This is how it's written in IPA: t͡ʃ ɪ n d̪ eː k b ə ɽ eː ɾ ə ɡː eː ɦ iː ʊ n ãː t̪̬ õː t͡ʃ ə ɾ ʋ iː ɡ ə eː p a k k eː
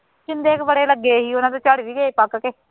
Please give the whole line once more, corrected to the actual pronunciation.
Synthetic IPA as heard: t͡ʃ ɪ n d̪ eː k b ə ɽ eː l ə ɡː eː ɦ iː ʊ n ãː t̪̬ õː t͡ʃ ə ɽ ʋ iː ɡ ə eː p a k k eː